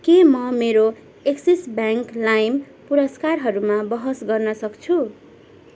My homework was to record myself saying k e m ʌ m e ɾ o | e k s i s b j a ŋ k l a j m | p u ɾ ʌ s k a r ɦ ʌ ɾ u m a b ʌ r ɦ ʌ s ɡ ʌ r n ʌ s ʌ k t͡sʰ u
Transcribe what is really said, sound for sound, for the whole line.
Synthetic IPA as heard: k e m ʌ m e ɾ o | e k s i s b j a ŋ k l a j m | p u ɾ ʌ s k a r ɦ ʌ ɾ u m a b ʌ ɦ ʌ s ɡ ʌ r n ʌ s ʌ k t͡sʰ u

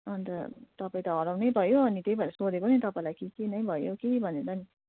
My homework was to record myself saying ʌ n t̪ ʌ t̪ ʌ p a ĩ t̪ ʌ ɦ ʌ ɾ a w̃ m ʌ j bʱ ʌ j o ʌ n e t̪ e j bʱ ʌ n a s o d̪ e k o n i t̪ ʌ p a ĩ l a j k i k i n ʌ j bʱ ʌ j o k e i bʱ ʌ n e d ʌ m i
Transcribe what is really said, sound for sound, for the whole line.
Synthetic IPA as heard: ʌ n t̪ ʌ t̪ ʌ p a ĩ t̪ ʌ ɦ ʌ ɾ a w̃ n ʌ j bʱ ʌ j o ʌ n i t̪ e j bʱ ʌ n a s o d̪ e k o n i t̪ ʌ p a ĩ l a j k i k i n ʌ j bʱ ʌ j o k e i bʱ ʌ n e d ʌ n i

